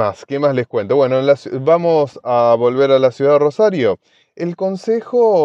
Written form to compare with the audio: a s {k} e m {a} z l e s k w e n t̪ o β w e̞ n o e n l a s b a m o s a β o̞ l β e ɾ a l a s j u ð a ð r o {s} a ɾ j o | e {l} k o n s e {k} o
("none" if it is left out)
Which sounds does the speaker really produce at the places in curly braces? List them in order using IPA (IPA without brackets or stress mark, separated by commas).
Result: k, a, s, l, x